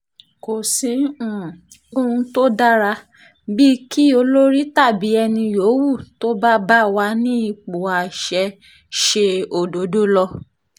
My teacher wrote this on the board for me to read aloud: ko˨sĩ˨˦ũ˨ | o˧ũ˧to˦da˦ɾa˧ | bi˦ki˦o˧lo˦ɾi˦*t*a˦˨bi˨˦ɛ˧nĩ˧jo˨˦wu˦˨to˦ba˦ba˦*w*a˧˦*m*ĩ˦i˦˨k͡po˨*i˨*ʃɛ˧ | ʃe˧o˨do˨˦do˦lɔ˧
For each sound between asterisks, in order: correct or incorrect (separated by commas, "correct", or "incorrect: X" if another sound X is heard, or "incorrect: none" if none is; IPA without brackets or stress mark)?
correct, correct, incorrect: n, incorrect: a˨